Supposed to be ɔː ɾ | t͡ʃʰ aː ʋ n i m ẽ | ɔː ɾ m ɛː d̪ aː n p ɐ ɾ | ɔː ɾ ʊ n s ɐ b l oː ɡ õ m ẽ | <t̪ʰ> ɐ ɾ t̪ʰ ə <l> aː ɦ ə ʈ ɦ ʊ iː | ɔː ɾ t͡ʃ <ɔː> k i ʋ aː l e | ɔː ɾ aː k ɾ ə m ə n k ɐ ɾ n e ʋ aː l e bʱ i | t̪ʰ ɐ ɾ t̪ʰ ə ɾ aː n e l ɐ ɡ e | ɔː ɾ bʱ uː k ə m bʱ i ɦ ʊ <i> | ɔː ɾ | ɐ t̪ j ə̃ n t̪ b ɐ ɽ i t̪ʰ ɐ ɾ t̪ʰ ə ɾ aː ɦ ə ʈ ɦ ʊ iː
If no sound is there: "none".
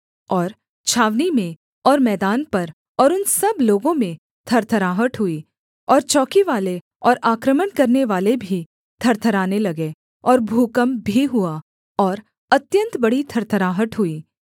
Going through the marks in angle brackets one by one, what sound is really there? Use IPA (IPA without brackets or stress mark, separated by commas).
t̪ʰ, ɾ, ɔː, a